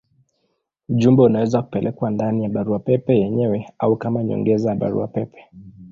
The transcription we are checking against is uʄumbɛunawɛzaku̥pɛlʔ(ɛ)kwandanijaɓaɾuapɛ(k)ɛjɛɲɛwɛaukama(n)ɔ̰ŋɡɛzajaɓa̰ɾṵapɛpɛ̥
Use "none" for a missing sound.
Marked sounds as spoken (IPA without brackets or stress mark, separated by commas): ɛ, p, ɲ